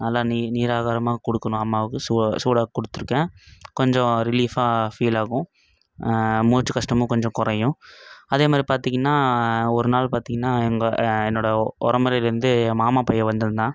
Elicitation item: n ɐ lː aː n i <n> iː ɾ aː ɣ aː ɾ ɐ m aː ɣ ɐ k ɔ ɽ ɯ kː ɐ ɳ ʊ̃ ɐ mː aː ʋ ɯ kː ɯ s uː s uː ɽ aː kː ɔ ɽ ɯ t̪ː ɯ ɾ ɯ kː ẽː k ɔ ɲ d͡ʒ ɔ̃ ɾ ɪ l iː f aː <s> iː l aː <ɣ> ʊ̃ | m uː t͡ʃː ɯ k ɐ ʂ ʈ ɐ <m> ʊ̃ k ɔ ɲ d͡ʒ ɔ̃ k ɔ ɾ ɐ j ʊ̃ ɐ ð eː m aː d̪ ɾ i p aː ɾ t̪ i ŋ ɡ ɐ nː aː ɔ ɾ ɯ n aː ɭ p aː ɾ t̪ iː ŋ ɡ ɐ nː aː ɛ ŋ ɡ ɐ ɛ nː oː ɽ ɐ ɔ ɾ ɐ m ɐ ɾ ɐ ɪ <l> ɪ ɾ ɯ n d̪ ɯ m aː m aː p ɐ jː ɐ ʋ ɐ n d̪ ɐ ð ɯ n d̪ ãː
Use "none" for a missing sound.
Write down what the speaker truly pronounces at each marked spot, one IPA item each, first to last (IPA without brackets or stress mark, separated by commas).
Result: n, f, ɣ, m, l